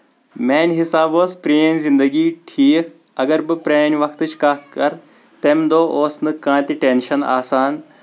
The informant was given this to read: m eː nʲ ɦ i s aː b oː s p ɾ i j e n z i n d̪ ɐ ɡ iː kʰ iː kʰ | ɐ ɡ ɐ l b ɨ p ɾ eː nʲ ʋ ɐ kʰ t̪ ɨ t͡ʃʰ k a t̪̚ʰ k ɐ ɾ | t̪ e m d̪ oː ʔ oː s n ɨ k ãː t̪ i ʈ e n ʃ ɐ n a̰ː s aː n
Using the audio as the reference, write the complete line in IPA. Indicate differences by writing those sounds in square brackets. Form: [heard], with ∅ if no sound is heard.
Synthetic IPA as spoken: m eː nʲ ɦ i s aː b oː s p ɾ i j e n z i n d̪ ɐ ɡ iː [ʈʰ] iː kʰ | ɐ ɡ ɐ [ɾ] b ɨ p ɾ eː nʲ ʋ ɐ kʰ t̪ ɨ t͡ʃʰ k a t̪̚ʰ k ɐ ɾ | t̪ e m d̪ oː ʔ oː s n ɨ k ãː t̪ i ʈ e n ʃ ɐ n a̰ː s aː n